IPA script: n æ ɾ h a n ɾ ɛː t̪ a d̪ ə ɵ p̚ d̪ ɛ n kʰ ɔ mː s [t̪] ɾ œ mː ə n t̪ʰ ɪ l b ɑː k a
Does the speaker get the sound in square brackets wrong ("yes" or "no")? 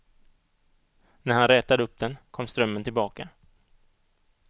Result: no